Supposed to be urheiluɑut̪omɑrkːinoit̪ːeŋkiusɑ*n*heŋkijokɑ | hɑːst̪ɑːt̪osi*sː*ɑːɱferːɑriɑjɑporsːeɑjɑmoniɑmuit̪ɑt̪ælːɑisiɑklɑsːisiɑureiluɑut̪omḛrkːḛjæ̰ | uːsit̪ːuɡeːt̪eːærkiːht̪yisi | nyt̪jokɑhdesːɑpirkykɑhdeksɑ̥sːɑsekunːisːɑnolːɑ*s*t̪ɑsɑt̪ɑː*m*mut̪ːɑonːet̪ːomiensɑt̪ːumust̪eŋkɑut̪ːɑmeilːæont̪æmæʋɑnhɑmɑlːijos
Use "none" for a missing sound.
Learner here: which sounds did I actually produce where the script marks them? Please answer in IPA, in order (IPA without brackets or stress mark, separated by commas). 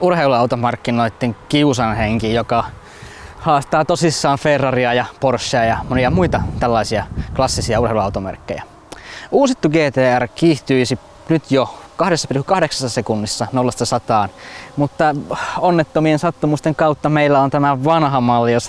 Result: n, sː, s, n